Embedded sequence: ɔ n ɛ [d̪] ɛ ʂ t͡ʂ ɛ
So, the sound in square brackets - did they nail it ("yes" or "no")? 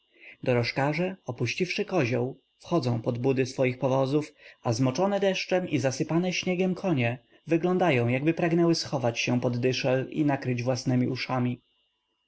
yes